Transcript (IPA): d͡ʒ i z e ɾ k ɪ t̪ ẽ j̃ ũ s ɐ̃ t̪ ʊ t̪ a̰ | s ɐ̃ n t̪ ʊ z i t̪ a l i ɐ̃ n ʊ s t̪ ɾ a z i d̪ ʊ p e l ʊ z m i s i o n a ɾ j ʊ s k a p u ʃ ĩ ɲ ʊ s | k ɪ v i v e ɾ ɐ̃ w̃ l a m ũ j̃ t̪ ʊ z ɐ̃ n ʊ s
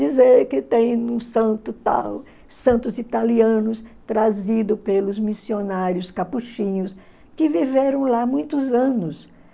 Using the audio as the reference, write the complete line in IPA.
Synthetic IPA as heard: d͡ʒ i z e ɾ k ɪ t̪ ẽ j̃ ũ s ɐ̃ t̪ ʊ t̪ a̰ | s ɐ̃ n t̪ ʊ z i t̪ a l i ɐ̃ n ʊ s t̪ ɾ a z i d̪ ʊ p e l ʊ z m i s i o n a ɾ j ʊ s k a p u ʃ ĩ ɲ ʊ s | k ɪ v i v e ɾ ɐ̃ w̃ l a m ũ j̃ t̪ ʊ z ɐ̃ n ʊ s